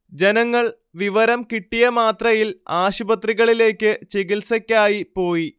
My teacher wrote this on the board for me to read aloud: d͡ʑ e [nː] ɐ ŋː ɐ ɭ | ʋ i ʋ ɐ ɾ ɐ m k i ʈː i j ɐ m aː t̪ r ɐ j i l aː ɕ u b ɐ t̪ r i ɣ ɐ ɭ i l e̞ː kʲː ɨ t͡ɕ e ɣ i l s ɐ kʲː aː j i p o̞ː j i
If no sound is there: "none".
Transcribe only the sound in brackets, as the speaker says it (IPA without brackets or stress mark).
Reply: n